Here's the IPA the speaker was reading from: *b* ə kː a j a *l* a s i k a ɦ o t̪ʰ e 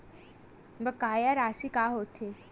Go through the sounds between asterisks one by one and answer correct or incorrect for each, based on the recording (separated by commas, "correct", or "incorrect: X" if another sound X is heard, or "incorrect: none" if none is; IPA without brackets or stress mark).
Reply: correct, incorrect: ɾ